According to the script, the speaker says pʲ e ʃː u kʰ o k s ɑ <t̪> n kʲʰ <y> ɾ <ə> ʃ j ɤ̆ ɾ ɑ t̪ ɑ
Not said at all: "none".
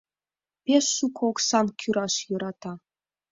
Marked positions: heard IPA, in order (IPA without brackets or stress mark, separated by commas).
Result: none, y, ɑ